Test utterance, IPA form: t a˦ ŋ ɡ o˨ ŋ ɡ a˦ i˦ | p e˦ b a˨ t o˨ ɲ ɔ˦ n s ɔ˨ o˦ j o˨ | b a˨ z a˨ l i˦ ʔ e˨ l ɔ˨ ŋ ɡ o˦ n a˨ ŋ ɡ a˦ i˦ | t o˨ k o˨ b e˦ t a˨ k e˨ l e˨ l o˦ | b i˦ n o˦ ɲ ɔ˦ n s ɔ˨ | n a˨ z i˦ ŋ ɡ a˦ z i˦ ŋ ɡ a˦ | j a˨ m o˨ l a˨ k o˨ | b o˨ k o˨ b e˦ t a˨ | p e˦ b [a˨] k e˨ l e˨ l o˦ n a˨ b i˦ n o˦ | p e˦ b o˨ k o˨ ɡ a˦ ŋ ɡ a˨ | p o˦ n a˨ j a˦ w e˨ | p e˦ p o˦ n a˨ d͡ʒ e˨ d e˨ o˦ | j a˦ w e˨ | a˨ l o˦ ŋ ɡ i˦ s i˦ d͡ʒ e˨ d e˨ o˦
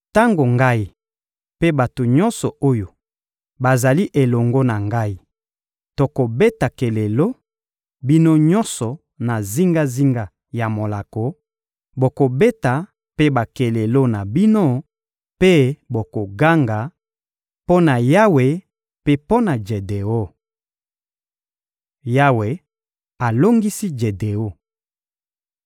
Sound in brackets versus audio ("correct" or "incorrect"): correct